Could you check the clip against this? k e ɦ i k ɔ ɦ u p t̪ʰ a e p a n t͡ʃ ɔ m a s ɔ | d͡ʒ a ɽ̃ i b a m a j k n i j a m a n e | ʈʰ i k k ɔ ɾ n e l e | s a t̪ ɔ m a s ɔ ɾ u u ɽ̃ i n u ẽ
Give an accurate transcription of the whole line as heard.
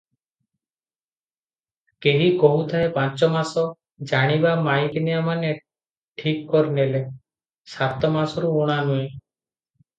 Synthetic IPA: k e ɦ i k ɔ ɦ u t̪ʰ a e p a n t͡ʃ ɔ m a s ɔ | d͡ʒ a ɽ̃ i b a m a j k n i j a m a n e | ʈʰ i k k ɔ ɾ n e l e | s a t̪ ɔ m a s ɔ ɾ u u ɽ̃ a n u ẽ